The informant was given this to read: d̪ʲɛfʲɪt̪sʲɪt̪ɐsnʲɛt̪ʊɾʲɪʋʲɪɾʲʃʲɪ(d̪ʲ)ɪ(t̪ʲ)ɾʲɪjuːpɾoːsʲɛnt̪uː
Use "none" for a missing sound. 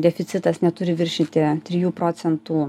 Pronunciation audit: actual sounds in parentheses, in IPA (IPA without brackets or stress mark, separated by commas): t̪ʲ, t̪ʲ